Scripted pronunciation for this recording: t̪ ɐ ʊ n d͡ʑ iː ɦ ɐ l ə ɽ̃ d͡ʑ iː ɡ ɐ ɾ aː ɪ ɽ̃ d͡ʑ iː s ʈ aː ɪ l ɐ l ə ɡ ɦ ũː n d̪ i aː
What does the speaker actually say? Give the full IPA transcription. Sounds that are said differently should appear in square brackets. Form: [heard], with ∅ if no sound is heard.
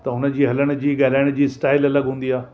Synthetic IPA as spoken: t̪ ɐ ʊ n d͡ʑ iː ɦ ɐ l ə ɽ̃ d͡ʑ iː ɡ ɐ ɾ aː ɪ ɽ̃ d͡ʑ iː s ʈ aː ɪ l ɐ l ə ɡ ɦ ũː n d̪ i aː